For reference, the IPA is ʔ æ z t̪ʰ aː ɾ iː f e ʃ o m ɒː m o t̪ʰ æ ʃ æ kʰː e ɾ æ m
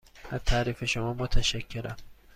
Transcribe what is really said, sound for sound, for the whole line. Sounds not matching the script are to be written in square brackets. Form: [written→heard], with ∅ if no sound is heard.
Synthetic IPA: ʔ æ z t̪ʰ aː ɾ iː f e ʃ o m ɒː m o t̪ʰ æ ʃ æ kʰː e ɾ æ m

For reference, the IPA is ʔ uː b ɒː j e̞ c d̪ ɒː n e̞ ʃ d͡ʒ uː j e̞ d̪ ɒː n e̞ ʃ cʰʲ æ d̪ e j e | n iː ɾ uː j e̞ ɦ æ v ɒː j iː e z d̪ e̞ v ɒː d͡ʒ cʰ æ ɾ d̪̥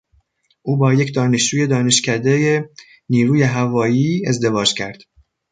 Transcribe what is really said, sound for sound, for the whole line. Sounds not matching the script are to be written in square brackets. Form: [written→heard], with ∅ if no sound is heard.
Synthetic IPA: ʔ uː b ɒː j e̞ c d̪ ɒː n e̞ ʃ d͡ʒ uː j e̞ d̪ ɒː n e̞ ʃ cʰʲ æ d̪ e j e | n iː ɾ uː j e̞ ɦ æ v ɒː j iː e z d̪ e̞ v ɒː d͡ʒ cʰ æ ɾ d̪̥

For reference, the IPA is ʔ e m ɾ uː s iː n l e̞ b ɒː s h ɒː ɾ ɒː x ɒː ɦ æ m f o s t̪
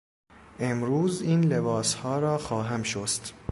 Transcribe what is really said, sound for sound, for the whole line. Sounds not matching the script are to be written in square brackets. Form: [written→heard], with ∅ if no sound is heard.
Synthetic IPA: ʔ e m ɾ uː [s→z] iː n l e̞ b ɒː s h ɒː ɾ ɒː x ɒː ɦ æ m [f→ʃ] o s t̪

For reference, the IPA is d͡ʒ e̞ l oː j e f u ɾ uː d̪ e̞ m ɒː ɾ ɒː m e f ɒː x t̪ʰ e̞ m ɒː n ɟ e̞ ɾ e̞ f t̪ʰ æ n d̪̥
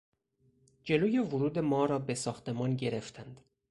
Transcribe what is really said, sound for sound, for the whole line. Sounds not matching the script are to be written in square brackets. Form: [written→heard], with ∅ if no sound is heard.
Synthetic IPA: d͡ʒ e̞ l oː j e [f→v] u ɾ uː d̪ e̞ m ɒː ɾ ɒː [m→b] e [f→s] ɒː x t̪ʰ e̞ m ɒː n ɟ e̞ ɾ e̞ f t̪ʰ æ n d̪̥

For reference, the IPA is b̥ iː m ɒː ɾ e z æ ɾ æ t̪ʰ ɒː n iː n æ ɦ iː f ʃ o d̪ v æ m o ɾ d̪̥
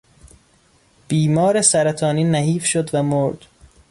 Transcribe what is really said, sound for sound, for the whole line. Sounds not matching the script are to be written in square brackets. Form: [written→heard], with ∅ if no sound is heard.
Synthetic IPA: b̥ iː m ɒː ɾ e [z→s] æ ɾ æ t̪ʰ ɒː n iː n æ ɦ iː f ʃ o d̪ v æ m o ɾ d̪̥

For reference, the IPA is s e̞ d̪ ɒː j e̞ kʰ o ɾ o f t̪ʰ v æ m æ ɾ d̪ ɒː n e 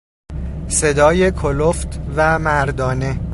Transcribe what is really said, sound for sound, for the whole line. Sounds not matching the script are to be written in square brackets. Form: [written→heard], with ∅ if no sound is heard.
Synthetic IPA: s e̞ d̪ ɒː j e̞ kʰ o [ɾ→l] o f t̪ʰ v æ m æ ɾ d̪ ɒː n e

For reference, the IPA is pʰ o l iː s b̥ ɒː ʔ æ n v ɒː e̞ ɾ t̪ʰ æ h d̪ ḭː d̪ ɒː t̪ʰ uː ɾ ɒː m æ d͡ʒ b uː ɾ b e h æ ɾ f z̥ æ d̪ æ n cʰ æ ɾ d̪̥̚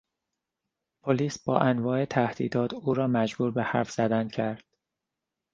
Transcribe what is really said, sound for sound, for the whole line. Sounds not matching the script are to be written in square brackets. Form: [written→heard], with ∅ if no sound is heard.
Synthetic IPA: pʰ o l iː s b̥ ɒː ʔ æ n v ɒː e̞ [ɾ→∅] t̪ʰ æ h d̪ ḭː d̪ ɒː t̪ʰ uː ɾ ɒː m æ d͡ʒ b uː ɾ b e h æ ɾ f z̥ æ d̪ æ n cʰ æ ɾ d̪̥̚

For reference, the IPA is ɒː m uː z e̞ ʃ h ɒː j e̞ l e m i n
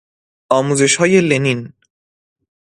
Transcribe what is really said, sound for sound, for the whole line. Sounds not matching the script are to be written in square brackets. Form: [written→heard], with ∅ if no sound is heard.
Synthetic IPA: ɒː m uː z e̞ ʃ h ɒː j e̞ l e [m→n] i n

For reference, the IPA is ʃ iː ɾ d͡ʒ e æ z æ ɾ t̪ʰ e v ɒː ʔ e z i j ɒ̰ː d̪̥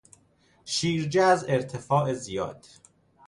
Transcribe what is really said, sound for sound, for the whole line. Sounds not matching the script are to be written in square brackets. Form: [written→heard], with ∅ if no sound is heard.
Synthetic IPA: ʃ iː ɾ d͡ʒ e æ z [æ→e] ɾ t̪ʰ e [v→f] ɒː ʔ e z i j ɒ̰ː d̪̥

